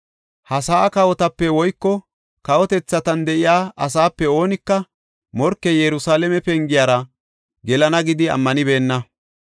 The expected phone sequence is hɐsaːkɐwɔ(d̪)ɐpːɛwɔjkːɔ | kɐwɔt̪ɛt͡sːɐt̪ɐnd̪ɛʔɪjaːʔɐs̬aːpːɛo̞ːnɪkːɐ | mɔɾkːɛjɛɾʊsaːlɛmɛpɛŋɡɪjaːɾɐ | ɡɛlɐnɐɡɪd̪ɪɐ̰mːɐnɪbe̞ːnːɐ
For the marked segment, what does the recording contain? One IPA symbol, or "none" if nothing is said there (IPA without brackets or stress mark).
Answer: t̪